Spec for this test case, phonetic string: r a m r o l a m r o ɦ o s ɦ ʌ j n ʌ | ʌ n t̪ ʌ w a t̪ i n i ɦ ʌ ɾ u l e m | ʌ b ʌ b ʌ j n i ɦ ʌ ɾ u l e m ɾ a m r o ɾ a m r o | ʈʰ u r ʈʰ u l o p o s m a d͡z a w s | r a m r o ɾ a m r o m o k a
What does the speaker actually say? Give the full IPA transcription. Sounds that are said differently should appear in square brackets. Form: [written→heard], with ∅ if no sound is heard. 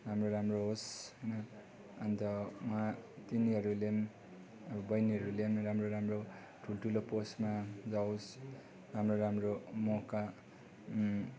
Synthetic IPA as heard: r a m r o [l→ɾ] a m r o ɦ o s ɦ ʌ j n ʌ | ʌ n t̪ ʌ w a t̪ i n i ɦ ʌ ɾ u l e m | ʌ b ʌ b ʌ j n i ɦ ʌ ɾ u l e m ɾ a m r o ɾ a m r o | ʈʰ u [r→l] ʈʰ u l o p o s m a d͡z a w s | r a m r o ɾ a m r o m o k a